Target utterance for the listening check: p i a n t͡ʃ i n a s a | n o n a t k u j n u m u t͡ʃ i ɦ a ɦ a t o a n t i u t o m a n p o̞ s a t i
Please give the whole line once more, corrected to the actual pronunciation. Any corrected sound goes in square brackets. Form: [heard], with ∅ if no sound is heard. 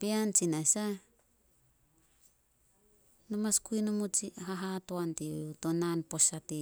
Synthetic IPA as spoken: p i a n t͡ʃ i n a s a | n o [m] a [s] k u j n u m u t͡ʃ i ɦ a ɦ a t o a n t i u t o [n] a n p o̞ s a t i